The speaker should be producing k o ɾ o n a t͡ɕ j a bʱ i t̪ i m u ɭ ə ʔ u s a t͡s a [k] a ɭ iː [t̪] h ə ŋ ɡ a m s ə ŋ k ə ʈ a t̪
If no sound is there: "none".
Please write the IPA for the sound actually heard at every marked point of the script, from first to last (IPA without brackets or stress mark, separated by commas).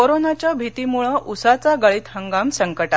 ɡ, t̪